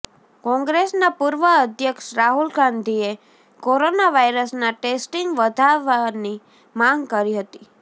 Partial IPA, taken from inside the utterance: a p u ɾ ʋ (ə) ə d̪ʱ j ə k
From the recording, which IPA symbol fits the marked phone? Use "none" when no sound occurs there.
ə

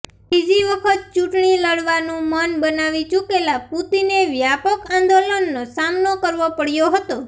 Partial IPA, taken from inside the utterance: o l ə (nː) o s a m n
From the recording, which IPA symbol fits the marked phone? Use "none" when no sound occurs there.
nː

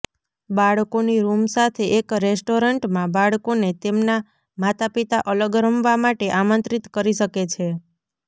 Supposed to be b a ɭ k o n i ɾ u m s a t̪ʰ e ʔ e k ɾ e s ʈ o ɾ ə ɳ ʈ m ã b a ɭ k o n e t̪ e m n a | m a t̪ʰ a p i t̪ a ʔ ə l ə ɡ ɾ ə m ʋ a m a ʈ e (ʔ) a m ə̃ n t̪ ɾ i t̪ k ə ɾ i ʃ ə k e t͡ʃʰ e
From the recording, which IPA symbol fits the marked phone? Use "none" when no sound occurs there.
ʔ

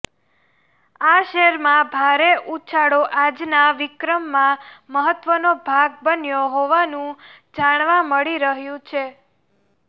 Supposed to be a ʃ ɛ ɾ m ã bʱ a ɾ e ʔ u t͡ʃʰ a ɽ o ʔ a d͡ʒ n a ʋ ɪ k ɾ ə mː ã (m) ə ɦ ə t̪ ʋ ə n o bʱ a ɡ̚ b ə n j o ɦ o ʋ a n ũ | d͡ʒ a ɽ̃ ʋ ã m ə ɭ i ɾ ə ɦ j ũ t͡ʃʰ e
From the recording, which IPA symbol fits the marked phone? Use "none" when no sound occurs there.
m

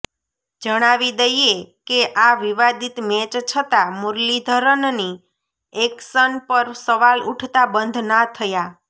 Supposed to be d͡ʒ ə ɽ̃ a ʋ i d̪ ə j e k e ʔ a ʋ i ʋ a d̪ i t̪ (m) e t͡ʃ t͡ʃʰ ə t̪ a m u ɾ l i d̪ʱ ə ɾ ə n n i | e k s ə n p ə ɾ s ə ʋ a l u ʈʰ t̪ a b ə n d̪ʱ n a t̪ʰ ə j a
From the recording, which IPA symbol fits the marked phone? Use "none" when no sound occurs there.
m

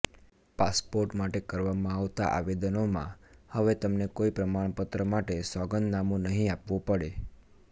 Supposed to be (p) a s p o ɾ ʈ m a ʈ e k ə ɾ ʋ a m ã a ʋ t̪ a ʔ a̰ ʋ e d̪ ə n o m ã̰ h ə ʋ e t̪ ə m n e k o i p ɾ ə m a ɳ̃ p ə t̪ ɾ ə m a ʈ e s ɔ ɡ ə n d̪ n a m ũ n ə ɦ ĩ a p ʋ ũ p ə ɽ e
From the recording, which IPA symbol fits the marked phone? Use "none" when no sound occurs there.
p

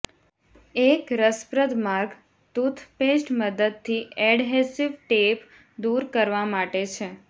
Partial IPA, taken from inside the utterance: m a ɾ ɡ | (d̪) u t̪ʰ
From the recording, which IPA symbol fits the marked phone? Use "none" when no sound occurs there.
t̪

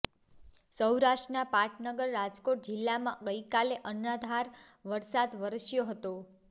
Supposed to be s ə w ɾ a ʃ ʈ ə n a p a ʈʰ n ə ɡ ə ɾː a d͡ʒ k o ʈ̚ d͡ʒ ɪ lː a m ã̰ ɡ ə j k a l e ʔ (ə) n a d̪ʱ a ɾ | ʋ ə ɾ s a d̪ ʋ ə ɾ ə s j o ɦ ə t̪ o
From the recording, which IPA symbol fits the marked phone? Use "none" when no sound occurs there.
ə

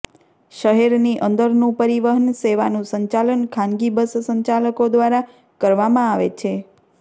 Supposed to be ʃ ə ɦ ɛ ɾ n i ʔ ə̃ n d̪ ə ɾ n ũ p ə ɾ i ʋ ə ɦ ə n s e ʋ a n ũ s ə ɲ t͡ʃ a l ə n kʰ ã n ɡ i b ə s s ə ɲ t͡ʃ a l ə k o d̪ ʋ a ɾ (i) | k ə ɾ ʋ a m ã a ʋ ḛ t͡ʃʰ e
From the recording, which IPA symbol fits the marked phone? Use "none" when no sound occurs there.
a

